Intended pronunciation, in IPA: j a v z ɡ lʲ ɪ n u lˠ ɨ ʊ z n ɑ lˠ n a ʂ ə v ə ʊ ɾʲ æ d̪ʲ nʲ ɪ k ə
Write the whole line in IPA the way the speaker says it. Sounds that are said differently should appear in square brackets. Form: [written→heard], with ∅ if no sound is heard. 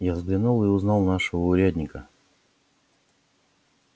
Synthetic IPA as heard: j a v z ɡ lʲ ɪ n u lˠ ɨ ʊ z n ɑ lˠ n a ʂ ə v ə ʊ ɾʲ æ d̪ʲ nʲ ɪ k ə